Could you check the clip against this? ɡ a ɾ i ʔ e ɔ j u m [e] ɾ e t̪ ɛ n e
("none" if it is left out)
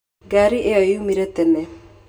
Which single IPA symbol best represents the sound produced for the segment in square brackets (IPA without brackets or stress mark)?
i